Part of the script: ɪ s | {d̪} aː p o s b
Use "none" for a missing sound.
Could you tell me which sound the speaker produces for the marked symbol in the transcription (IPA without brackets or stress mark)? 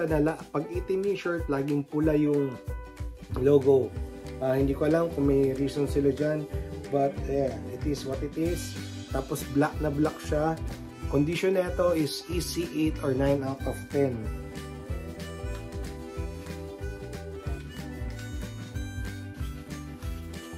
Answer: t̪